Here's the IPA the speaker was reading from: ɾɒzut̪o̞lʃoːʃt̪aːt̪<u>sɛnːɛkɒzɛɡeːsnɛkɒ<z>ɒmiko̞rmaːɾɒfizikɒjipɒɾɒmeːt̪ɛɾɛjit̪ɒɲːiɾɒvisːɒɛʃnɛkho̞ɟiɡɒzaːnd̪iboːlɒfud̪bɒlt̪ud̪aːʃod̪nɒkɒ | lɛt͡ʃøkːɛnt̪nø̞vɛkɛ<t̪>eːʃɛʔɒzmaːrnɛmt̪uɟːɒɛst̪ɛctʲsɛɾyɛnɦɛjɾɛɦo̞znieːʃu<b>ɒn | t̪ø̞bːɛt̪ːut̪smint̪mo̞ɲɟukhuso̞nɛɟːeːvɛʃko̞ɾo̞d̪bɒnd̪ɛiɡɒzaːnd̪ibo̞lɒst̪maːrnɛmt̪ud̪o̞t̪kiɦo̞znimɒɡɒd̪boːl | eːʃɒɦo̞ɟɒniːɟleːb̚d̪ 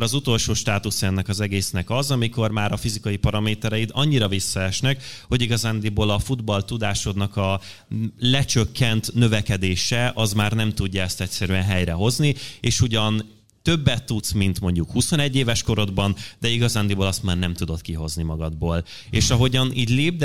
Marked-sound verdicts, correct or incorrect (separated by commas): correct, correct, incorrect, incorrect